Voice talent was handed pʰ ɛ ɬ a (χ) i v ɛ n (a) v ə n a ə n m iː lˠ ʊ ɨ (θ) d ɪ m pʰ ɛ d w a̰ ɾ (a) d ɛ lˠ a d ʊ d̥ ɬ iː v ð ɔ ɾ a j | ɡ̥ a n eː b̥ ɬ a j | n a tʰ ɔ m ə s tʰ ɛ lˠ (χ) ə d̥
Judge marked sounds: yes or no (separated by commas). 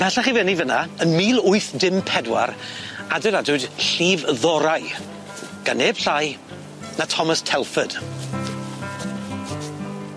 yes, no, yes, yes, no